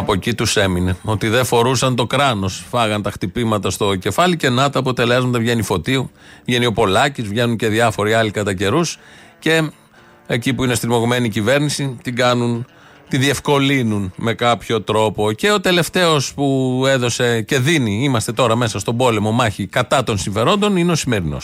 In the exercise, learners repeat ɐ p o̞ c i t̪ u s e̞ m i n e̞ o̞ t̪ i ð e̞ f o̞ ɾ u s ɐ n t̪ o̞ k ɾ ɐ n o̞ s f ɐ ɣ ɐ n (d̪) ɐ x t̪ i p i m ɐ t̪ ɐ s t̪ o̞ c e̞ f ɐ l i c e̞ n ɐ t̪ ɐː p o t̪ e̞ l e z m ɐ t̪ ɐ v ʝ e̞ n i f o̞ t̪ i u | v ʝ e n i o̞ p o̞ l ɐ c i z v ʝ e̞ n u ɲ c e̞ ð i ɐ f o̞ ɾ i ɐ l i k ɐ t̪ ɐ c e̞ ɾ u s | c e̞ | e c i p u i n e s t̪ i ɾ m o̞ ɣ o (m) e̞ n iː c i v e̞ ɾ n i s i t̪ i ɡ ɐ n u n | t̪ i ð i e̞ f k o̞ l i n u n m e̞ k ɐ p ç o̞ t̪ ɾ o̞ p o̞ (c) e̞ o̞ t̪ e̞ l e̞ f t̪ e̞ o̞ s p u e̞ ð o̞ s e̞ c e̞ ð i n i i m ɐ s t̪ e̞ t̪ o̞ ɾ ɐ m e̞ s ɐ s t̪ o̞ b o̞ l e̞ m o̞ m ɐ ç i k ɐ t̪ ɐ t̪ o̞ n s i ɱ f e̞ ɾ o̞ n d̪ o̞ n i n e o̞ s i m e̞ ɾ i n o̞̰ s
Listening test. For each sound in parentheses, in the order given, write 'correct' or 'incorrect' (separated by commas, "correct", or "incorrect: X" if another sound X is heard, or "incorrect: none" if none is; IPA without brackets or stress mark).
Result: incorrect: t̪, correct, correct